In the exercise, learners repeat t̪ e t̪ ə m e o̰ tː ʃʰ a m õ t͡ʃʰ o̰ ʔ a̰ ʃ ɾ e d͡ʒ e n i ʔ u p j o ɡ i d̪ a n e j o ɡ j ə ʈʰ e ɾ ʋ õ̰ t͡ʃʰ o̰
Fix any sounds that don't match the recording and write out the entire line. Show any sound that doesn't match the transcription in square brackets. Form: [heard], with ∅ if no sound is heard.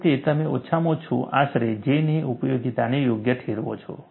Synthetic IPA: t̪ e t̪ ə m e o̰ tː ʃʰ a m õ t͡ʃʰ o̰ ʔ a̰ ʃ ɾ e d͡ʒ e n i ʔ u p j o ɡ i [t̪] a n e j o ɡ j ə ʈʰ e ɾ ʋ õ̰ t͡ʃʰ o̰

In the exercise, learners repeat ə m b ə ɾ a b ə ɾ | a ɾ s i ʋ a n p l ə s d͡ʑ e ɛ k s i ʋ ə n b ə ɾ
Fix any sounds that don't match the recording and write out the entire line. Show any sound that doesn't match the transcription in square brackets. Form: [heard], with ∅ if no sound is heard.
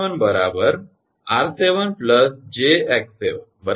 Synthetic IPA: ə [n] b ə ɾ a b ə ɾ | a ɾ s [e] ʋ [ə] n p l ə s d͡ʑ e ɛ k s [e] ʋ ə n b ə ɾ

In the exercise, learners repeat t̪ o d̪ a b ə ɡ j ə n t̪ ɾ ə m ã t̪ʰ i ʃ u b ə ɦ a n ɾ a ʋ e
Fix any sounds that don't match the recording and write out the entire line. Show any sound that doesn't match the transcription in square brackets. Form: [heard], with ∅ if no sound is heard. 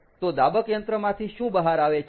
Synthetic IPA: t̪ o d̪ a b ə [k] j ə n t̪ ɾ ə m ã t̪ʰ i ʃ [ũ] b ə ɦ a [∅] ɾ a ʋ e

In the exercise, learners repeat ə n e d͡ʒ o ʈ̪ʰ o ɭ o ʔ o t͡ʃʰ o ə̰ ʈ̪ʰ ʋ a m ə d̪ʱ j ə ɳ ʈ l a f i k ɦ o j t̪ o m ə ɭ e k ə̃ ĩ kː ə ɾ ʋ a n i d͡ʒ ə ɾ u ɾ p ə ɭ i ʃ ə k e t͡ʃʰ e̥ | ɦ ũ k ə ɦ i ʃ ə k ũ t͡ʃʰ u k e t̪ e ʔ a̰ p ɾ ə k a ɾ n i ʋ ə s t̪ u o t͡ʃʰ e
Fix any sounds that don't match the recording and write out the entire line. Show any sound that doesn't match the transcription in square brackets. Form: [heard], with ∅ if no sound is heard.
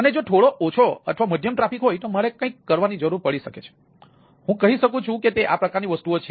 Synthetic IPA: ə n e d͡ʒ o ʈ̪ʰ o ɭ o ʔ o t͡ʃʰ o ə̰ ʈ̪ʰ ʋ a m ə d̪ʱ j ə [m] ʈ [ɾ] a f i k ɦ o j t̪ o m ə ɭ e k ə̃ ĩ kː ə ɾ ʋ a n i d͡ʒ ə ɾ u ɾ p ə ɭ i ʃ ə k e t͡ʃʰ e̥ | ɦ ũ k ə ɦ i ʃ ə k ũ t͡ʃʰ [ũ] k e t̪ e ʔ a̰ p ɾ ə k a ɾ n i ʋ ə s t̪ u o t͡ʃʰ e

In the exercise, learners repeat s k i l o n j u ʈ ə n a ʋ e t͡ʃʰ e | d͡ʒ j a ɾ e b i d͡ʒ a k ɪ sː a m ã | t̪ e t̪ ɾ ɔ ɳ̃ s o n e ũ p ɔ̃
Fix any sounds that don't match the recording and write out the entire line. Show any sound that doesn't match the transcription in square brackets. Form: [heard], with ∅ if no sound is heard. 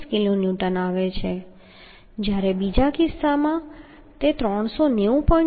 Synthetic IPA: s k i l o n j u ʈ ə n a ʋ e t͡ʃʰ e | d͡ʒ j a ɾ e b i d͡ʒ a k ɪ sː a m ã | t̪ e t̪ ɾ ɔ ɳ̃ s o n e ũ p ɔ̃

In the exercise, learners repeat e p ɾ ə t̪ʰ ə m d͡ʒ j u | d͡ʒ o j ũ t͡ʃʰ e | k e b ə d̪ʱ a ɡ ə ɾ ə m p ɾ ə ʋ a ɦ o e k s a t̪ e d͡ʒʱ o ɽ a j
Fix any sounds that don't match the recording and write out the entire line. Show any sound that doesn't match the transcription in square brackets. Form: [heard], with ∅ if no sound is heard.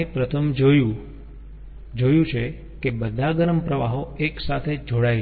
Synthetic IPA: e p ɾ ə t̪ʰ ə m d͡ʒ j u | d͡ʒ o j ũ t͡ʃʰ e | k e b ə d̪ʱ a ɡ ə ɾ ə m p ɾ ə ʋ a ɦ o e k s a [t̪ʰ] e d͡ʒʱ o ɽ a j

